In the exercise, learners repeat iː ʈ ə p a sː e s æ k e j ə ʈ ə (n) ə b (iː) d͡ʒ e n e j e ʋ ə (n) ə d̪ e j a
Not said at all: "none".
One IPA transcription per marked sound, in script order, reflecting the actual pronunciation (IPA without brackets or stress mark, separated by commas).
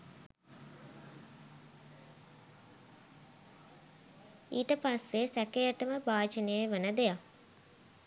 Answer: m, aː, n